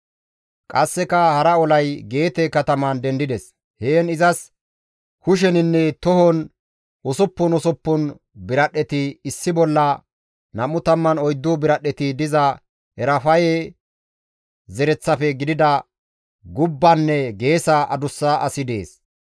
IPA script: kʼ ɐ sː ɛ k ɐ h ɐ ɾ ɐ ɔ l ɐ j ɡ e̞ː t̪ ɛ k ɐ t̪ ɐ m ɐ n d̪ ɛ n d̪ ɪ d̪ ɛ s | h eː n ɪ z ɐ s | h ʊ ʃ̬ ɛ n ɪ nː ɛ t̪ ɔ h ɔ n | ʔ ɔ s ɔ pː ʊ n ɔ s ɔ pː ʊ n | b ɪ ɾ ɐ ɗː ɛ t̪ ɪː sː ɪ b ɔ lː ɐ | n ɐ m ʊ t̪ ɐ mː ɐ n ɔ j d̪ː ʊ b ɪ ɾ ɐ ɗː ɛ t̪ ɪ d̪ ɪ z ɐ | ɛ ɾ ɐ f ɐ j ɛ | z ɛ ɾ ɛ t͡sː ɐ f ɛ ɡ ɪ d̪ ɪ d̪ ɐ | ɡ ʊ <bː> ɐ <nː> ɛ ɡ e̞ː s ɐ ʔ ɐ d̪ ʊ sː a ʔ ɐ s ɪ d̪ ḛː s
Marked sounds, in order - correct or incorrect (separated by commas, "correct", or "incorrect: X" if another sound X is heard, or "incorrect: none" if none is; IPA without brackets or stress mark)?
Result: correct, correct